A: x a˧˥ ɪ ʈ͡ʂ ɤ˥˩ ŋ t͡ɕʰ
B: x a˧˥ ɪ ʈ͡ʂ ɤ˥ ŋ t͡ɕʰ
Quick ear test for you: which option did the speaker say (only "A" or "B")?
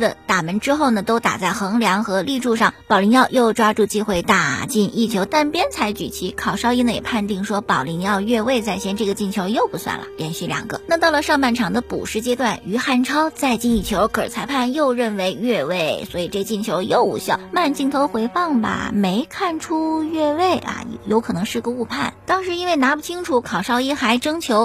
B